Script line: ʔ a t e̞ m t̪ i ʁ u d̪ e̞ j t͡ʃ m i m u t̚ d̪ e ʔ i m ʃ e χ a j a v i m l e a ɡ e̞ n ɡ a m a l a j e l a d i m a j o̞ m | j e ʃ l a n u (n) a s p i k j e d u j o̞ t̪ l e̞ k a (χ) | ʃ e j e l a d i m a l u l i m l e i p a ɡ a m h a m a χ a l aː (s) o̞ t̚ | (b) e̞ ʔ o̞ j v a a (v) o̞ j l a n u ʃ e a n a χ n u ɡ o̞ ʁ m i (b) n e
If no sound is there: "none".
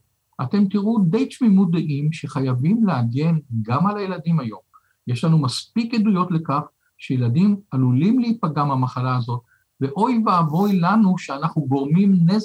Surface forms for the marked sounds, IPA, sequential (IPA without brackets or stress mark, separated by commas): m, χ, z, v, v, m